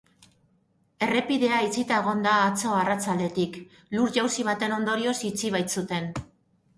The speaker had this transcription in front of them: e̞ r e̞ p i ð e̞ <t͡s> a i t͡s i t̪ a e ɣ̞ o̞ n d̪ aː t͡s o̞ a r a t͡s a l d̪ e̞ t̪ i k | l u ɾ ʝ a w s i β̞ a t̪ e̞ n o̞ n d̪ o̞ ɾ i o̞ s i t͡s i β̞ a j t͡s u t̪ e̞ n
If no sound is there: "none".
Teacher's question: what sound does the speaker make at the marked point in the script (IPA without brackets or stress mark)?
none